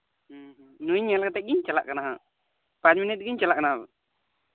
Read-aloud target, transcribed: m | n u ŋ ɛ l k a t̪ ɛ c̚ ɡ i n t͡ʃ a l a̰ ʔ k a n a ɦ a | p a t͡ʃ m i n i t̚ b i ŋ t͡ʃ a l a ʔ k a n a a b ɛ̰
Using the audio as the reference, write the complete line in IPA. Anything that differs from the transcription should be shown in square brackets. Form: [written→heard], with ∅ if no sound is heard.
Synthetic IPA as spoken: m | n u [ŋ→ɲ] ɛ l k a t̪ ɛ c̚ ɡ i [n→ɲ] t͡ʃ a l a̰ ʔ k a n a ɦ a | p a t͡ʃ m i n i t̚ [b→ɡ] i [ŋ→ɲ] t͡ʃ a l a ʔ k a n a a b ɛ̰